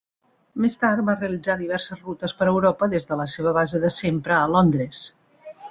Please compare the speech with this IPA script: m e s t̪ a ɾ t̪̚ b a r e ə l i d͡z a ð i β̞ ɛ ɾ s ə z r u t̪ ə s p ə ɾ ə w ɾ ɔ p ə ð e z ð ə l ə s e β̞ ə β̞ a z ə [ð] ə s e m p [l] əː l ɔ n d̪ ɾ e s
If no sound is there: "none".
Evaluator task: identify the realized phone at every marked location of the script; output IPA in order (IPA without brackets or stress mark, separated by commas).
ð, ɾ